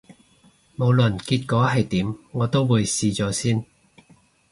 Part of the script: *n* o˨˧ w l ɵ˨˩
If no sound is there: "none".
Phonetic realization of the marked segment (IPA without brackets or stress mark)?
m